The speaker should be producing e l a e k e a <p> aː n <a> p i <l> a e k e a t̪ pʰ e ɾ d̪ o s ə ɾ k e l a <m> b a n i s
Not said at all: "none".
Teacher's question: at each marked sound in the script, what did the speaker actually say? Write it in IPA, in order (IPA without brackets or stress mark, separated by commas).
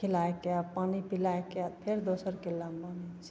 p, i, l, m